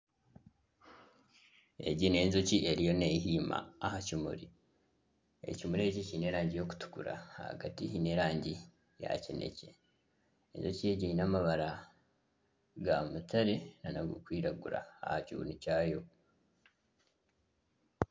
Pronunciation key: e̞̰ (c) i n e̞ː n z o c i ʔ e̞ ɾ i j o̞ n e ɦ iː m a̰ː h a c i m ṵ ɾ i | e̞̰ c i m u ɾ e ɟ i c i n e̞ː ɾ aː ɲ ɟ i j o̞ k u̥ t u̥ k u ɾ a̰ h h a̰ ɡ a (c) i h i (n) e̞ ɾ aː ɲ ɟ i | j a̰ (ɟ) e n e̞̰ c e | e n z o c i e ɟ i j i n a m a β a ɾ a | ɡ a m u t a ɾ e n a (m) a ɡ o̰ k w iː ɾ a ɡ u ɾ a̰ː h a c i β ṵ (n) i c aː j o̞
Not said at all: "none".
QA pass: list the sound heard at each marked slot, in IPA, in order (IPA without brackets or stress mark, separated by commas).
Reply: ɟ, t, n, c, n, n